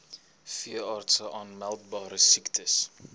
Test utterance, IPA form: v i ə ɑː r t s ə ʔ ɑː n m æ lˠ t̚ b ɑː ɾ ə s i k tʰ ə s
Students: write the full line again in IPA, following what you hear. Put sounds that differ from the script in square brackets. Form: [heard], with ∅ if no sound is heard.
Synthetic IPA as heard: [f] i ə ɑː r t s ə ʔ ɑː n m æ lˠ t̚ b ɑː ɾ ə s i k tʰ ə s